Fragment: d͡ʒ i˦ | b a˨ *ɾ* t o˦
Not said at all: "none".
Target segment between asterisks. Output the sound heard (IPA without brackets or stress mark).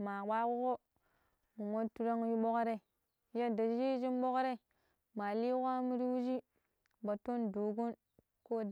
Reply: none